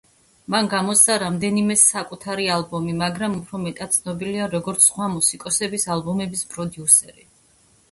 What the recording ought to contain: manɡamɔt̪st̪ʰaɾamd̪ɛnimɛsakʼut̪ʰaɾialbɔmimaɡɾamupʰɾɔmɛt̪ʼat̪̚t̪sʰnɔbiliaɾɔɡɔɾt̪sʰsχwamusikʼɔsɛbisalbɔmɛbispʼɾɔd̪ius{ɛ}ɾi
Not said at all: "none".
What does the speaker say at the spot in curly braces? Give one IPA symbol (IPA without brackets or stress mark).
ɛ